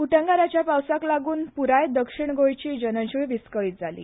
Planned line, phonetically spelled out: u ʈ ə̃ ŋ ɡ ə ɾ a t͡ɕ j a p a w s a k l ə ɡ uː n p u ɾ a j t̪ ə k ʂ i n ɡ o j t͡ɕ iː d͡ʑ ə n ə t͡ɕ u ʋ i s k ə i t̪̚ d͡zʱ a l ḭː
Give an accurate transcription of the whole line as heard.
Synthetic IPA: u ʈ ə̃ ŋ ɡ a ɾ a t͡ɕ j a p a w s a k l a ɡ uː n p u ɾ a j d̪ ə k ʂ i ɳ ɡ o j t͡ɕ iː d͡ʑ ə n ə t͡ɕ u ʋ i s k ə i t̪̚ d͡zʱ a l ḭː